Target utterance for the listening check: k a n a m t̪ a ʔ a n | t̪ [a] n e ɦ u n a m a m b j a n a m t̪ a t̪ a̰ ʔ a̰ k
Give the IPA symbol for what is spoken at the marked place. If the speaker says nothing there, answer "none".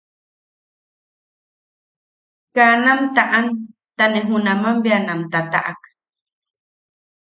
a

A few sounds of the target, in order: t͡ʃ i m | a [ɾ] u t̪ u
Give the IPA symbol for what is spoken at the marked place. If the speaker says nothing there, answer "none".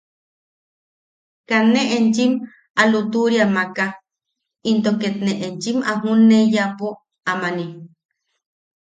l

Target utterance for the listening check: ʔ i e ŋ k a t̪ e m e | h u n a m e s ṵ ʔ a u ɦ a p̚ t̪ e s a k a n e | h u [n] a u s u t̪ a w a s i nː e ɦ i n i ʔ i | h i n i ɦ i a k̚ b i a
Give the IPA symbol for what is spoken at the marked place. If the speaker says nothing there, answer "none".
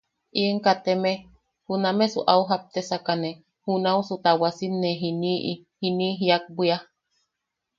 n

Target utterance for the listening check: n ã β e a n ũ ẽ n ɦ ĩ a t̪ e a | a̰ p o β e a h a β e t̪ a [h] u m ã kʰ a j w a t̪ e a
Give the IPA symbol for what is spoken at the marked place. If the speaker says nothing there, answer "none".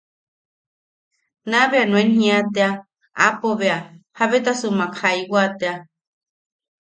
s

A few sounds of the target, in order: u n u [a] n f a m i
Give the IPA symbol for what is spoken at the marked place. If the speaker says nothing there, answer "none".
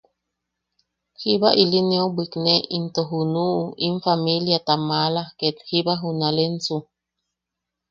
i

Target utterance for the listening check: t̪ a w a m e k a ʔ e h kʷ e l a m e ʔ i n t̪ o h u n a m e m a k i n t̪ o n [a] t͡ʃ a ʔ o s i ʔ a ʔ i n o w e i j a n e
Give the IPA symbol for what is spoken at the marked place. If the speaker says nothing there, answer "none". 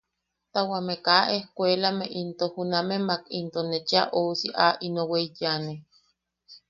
e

